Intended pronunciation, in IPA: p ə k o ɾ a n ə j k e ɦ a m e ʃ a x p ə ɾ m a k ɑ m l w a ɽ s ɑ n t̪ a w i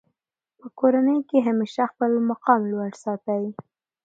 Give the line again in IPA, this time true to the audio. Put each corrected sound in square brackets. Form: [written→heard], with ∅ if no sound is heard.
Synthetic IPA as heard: p ə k o ɾ a n ə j k e ɦ a m e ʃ a x p ə [ɾ→l] m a [k→q] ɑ m l w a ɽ s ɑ [n→∅] t̪ a w i

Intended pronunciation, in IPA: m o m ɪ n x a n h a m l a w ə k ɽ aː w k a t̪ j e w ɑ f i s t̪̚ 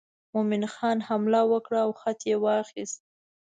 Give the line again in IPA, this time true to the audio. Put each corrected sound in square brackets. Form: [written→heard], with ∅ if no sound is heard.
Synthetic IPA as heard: m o m ɪ n x [a→ɑ] n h a m l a w ə k ɽ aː w [k→x] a t̪ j e w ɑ [f→x] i s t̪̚

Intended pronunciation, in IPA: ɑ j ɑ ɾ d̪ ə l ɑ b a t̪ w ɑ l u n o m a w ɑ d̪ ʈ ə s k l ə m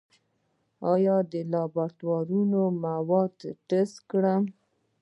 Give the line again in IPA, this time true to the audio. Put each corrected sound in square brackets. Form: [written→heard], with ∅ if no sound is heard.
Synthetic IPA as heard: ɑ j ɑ [ɾ→∅] d̪ ə l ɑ b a t̪ w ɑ [l→ɾ] u n o m a w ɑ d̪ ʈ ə s k [l→ɽ] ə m

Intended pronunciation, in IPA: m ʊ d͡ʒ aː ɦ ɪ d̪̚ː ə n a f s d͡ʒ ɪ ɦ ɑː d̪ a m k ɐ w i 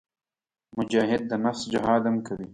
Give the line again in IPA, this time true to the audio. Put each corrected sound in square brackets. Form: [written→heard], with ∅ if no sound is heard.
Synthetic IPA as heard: m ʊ d͡ʒ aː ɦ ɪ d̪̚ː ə n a f s d͡ʒ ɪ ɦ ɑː d̪ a m k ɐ w i

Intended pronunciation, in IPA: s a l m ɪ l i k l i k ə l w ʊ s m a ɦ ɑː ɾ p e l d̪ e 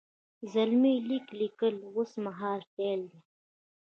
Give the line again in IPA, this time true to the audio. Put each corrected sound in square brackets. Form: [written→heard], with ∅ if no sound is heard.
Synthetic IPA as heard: [s→z] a l m [ɪ→i] l i k l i k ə l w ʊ s m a ɦ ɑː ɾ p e l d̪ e

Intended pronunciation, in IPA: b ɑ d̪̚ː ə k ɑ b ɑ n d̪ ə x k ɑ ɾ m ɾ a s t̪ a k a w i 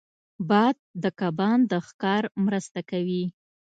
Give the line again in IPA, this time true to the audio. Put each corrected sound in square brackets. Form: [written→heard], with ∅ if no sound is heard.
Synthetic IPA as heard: b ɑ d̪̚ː ə k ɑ b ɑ n d̪ ə x k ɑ ɾ m ɾ [a→ə] s t̪ a k a w i

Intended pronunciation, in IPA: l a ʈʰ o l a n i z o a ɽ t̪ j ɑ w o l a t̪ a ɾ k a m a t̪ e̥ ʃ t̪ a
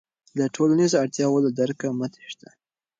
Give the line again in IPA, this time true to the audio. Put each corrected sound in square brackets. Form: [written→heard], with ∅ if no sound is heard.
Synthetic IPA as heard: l a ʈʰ o l a n i z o a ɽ t̪ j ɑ w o l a [t̪→d̪] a ɾ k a m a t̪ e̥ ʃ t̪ a

